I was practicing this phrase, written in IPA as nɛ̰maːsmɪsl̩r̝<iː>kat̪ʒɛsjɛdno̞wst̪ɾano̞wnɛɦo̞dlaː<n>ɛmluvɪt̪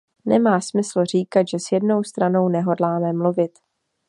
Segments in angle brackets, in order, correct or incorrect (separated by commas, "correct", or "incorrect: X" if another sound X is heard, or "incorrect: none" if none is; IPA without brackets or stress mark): correct, incorrect: m